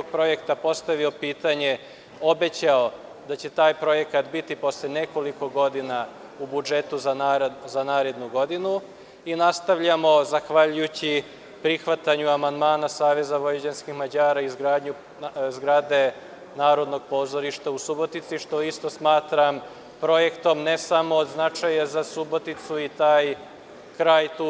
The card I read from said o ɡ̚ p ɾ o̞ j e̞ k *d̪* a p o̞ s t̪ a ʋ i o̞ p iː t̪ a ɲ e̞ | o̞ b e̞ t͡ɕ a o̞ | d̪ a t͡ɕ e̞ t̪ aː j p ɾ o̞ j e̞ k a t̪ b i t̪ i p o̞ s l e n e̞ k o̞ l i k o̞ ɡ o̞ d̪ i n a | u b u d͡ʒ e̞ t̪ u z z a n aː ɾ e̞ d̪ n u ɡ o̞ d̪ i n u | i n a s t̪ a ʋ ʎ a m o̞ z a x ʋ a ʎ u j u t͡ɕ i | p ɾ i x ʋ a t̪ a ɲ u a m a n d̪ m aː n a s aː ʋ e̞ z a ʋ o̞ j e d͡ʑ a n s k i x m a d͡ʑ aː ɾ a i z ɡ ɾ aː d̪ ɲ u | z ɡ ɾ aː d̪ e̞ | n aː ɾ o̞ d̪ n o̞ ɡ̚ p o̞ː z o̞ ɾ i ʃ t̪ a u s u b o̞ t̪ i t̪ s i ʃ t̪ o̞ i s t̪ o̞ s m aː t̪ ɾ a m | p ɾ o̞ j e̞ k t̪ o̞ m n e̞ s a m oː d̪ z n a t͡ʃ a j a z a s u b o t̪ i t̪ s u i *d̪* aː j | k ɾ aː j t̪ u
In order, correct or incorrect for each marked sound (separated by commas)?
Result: incorrect, incorrect